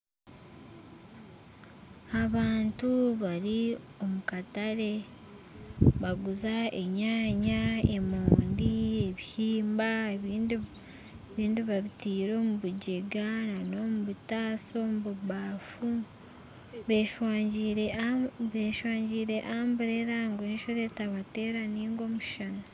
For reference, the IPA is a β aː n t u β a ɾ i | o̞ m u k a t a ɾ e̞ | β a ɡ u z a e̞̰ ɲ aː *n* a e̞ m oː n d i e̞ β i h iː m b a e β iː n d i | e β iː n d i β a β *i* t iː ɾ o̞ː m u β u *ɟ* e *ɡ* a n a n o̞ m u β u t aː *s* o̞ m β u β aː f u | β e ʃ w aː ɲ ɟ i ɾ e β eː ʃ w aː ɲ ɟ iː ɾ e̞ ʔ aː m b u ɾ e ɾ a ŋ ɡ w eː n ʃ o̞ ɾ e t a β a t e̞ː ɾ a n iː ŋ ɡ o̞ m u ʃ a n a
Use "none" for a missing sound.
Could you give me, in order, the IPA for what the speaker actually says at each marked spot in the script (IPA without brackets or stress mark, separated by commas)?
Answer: ɲ, i, ɟ, ɡ, s